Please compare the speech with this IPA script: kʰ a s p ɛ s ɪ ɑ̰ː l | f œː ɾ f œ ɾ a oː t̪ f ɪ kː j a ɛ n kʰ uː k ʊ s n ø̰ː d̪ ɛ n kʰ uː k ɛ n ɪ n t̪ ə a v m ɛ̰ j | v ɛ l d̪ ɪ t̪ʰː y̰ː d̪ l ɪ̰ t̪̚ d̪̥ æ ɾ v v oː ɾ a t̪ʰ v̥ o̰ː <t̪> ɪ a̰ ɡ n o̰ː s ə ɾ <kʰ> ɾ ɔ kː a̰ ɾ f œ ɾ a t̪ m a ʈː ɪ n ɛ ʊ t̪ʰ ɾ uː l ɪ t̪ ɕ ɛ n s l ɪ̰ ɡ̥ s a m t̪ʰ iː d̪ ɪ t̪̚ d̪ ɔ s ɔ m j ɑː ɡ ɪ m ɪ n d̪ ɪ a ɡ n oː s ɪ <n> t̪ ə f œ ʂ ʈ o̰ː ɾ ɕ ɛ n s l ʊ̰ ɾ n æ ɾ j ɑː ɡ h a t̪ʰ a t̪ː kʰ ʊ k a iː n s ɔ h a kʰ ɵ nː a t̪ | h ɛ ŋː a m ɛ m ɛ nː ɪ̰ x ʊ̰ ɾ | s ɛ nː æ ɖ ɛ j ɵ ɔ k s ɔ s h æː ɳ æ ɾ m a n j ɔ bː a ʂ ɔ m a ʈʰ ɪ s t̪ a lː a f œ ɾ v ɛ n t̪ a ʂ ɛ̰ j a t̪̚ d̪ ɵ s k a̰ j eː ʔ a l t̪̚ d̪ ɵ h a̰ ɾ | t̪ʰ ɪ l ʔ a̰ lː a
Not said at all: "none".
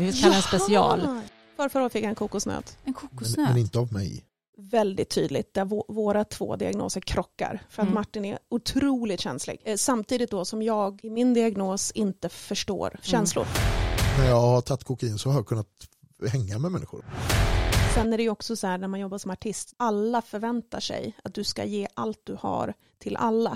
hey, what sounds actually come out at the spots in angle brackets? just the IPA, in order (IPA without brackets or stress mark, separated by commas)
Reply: d̪, kʰ, n